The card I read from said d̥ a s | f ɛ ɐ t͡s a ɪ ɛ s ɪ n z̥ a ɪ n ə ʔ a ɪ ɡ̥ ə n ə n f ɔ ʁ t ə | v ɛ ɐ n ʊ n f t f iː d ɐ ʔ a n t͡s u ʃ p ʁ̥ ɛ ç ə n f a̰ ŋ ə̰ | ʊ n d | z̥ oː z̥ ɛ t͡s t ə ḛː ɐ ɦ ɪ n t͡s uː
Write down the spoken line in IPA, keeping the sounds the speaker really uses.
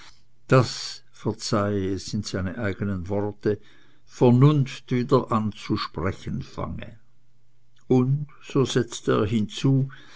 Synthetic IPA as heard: d̥ a s | f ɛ ɐ t͡s a ɪ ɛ s ɪ n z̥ a ɪ n ə ʔ a ɪ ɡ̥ ə n ə n v ɔ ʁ t ə | f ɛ ɐ n ʊ n f t v iː d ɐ ʔ a n t͡s u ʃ p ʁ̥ ɛ ç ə n f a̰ ŋ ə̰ | ʊ n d | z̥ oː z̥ ɛ t͡s t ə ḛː ɐ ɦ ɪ n t͡s uː